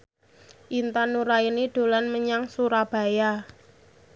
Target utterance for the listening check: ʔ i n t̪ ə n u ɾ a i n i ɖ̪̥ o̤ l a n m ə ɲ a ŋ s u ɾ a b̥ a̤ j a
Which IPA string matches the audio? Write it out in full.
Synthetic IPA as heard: ʔ i n t̪ a n u ɾ a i n i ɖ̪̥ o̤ l a n m ə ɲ a ŋ s u ɾ a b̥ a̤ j a